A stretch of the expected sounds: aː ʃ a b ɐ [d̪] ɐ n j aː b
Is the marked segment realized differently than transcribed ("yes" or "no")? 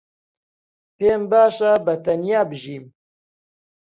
yes